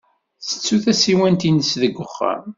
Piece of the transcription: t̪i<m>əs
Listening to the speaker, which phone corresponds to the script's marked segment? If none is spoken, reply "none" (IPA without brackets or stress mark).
n